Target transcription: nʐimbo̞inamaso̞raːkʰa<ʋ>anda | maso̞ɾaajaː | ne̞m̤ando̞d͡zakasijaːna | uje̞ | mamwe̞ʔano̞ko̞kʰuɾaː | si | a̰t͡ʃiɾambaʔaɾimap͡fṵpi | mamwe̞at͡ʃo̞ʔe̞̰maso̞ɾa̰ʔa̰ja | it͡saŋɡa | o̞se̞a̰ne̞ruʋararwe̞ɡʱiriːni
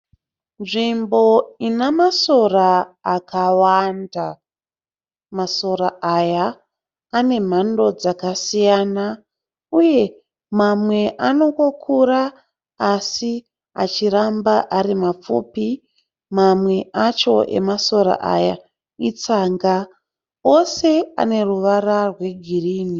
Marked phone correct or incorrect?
incorrect: w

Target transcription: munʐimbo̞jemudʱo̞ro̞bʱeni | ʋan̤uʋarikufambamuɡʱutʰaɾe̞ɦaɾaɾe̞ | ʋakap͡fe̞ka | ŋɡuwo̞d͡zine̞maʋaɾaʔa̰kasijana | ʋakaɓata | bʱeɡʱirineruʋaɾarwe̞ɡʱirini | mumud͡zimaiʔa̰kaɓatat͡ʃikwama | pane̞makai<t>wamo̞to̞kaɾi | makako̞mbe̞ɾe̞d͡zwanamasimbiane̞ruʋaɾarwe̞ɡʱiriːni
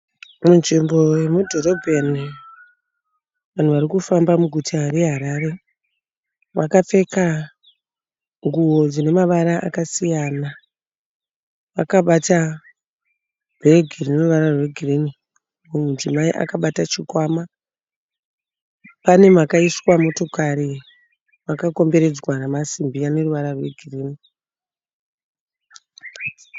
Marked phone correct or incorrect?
incorrect: s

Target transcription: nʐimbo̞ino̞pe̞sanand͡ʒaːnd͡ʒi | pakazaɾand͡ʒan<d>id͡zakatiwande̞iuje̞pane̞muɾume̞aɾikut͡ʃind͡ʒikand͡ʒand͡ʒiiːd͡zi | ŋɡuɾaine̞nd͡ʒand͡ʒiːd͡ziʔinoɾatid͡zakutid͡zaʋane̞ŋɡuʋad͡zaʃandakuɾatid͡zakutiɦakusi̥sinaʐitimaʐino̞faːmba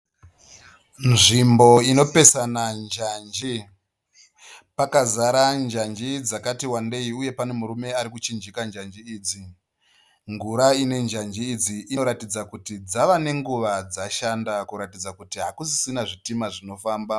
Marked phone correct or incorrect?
incorrect: d͡ʒ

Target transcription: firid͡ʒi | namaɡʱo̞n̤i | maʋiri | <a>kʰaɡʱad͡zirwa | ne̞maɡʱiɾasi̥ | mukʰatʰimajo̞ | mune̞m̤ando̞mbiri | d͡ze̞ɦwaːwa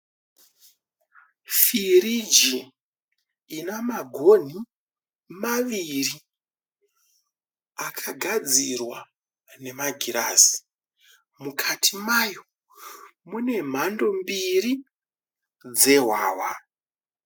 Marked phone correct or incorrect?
correct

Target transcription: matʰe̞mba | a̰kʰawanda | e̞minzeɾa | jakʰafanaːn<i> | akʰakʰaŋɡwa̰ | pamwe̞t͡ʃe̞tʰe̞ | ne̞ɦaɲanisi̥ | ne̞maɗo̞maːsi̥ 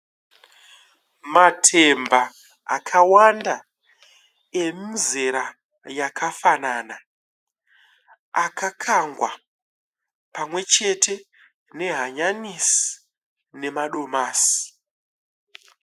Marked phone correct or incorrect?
incorrect: a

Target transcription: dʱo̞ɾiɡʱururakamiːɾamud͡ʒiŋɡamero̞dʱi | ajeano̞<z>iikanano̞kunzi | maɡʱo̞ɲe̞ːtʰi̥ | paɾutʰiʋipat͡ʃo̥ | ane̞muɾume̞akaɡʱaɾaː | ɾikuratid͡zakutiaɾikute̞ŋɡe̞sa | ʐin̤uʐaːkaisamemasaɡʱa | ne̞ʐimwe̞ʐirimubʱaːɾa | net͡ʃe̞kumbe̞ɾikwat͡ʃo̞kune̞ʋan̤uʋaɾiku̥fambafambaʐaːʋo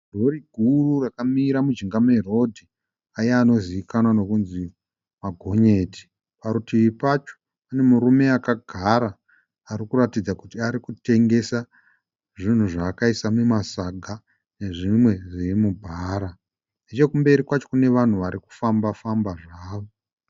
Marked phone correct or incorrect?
correct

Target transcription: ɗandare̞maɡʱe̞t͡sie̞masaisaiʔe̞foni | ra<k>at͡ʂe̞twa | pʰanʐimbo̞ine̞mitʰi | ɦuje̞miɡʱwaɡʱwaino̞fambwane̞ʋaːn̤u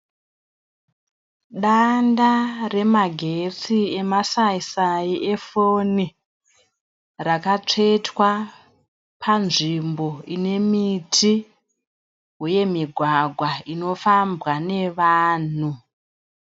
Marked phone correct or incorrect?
correct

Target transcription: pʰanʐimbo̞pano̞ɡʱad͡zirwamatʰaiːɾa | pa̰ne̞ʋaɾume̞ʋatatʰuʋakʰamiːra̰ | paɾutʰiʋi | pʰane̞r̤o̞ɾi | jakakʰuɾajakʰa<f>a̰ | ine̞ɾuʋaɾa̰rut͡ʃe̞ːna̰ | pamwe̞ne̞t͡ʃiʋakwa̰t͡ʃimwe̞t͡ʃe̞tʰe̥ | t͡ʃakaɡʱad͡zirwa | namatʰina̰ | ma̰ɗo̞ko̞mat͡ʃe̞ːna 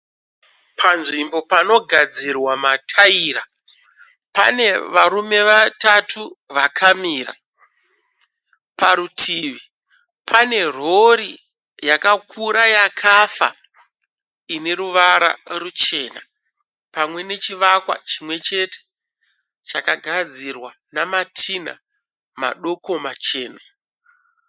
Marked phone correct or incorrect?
correct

